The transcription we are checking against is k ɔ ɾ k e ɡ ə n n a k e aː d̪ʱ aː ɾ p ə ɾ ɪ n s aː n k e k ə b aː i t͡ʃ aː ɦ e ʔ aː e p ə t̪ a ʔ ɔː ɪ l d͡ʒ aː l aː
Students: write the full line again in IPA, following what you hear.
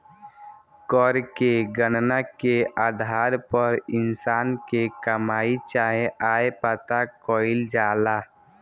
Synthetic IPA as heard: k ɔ ɾ k e ɡ ə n n a k e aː d̪ʱ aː ɾ p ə ɾ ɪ n s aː n k e k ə m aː i t͡ʃ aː ɦ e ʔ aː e p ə t̪ a k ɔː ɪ l d͡ʒ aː l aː